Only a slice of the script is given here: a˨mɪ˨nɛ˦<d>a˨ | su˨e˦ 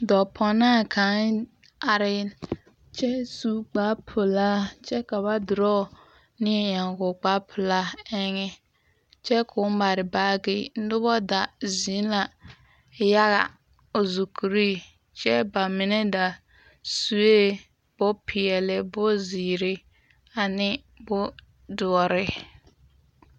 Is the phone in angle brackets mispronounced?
no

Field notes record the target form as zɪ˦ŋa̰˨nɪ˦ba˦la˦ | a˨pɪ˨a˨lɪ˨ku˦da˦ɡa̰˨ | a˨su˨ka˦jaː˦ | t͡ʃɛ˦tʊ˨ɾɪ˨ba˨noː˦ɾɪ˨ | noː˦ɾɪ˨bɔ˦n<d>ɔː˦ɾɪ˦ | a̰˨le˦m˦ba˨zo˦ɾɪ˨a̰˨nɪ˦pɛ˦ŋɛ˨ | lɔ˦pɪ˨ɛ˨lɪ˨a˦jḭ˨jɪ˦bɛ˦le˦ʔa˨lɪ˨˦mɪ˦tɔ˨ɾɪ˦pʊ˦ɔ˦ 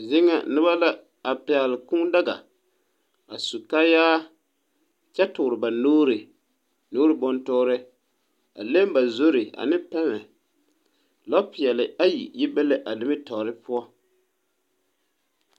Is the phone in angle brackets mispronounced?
yes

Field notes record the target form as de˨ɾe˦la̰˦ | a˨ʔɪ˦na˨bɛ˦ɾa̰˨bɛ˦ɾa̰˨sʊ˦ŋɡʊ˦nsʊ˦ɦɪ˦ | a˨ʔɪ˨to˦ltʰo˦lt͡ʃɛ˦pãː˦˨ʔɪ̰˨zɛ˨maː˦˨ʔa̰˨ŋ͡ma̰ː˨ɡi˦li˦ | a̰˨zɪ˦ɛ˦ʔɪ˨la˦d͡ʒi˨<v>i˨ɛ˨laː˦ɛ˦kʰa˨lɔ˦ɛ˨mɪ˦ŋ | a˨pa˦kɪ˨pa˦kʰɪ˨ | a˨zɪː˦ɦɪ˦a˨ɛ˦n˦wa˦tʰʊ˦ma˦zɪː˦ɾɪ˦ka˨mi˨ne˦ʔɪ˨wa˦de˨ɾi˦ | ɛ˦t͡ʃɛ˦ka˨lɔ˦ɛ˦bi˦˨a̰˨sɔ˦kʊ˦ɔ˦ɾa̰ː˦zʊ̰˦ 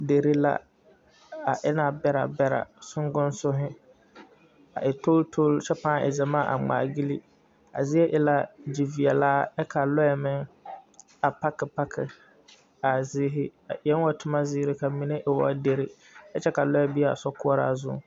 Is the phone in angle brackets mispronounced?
no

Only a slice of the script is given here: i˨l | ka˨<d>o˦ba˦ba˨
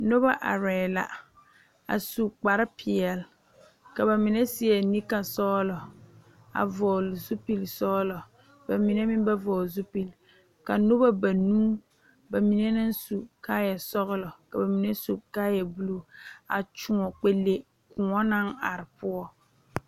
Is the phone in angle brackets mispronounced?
yes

